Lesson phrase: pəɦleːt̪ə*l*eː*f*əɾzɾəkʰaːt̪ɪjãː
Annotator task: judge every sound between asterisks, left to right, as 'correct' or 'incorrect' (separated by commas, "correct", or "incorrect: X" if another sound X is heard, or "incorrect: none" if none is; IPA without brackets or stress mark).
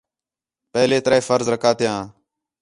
incorrect: ɾ, correct